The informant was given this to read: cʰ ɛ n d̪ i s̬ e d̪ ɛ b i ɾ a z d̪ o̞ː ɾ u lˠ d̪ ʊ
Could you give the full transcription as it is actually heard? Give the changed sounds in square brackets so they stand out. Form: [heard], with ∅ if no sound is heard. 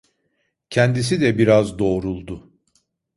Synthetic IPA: cʰ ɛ n d̪ i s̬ [i] d̪ ɛ b i ɾ a z d̪ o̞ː ɾ u lˠ d̪ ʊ